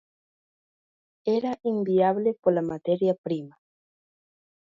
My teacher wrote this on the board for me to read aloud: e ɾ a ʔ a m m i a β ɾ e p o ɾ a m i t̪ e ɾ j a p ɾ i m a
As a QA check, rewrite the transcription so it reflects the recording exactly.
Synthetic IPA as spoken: e ɾ a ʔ i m b i a β l e p o l a m a t̪ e ɾ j a p ɾ i m a